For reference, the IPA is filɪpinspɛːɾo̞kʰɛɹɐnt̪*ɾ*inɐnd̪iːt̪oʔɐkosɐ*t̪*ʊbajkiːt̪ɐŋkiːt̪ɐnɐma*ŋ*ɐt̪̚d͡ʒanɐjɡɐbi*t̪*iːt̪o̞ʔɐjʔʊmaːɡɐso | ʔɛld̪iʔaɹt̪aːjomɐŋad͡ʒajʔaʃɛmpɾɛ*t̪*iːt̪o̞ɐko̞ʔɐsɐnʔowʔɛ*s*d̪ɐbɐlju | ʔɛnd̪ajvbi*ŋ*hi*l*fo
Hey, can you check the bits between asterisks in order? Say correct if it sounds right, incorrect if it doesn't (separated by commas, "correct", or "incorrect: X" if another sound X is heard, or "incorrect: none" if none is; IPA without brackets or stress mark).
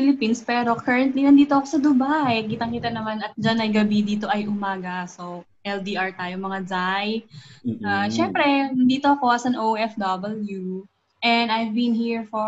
incorrect: l, incorrect: d̪, incorrect: n, incorrect: d̪, incorrect: d̪, incorrect: f, incorrect: n, incorrect: ɹ